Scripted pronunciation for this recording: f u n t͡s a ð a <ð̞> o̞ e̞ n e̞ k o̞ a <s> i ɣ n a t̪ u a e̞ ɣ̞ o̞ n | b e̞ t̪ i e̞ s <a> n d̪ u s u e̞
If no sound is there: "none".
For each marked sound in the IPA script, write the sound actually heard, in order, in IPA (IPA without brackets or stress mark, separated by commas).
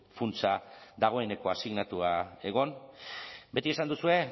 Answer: ɣ̞, s, a